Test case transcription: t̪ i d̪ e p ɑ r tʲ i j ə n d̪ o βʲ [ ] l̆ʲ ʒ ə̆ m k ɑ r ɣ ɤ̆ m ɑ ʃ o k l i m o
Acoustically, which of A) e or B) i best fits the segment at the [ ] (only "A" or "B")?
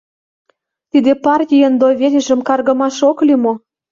A